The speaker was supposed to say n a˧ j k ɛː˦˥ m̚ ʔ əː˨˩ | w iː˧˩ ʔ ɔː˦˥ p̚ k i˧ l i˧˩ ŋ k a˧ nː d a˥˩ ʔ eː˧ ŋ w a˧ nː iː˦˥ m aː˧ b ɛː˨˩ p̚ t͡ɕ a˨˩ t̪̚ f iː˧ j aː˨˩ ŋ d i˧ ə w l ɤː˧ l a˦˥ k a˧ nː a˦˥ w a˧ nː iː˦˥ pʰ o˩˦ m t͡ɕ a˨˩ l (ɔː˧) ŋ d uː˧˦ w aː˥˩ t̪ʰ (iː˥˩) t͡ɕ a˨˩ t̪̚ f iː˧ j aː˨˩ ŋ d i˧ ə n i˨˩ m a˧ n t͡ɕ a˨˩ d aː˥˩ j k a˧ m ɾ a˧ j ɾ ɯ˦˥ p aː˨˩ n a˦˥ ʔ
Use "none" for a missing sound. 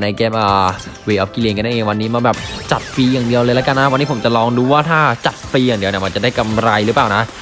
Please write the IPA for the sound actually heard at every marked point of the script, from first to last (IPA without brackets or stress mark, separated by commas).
ɔː˧, aː˥˩